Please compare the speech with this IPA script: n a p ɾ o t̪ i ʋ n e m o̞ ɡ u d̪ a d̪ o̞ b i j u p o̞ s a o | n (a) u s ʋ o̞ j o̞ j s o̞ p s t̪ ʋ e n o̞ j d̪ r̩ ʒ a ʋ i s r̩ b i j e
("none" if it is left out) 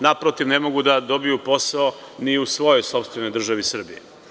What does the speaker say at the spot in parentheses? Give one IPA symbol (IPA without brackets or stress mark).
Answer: i